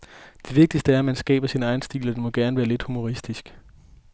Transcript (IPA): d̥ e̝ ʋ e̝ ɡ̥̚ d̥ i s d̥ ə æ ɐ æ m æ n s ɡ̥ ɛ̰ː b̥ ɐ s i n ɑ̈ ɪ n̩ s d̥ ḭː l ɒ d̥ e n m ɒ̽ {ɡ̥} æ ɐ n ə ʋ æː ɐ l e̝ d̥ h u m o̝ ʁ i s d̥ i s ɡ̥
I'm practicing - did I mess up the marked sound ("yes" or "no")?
no